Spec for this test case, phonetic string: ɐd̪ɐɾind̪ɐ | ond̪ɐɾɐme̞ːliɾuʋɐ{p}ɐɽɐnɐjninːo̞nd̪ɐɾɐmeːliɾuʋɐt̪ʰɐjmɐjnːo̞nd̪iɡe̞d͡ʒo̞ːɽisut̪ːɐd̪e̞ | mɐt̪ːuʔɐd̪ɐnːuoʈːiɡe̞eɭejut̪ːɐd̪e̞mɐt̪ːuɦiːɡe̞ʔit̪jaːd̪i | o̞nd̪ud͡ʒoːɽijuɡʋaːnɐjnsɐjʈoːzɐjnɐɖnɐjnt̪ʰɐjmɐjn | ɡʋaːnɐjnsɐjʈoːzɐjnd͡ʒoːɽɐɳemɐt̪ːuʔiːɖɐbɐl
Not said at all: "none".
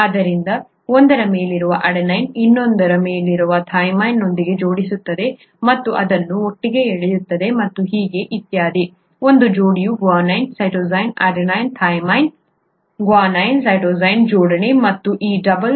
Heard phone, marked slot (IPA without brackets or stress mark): ʔ